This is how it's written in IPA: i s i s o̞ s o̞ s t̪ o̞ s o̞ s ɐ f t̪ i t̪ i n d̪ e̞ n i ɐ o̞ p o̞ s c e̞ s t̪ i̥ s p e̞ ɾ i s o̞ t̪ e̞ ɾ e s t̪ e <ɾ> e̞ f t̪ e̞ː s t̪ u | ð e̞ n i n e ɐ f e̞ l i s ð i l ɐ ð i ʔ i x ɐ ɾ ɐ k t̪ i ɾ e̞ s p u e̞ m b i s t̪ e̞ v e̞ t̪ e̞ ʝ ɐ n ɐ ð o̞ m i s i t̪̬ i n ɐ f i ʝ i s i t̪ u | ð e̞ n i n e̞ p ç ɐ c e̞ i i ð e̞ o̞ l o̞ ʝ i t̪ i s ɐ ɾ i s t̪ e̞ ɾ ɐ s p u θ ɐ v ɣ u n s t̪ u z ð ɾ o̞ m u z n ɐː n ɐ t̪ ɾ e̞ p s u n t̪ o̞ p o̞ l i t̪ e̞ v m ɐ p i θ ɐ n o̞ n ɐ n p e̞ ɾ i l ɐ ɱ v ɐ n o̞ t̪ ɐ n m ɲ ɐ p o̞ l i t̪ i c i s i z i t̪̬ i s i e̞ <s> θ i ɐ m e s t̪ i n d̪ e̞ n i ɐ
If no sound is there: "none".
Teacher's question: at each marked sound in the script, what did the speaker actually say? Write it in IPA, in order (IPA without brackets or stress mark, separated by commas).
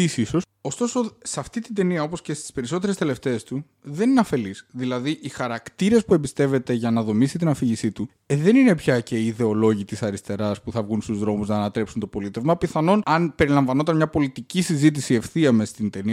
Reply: l, f